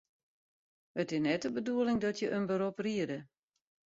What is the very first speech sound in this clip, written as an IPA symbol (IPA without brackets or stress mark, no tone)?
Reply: ə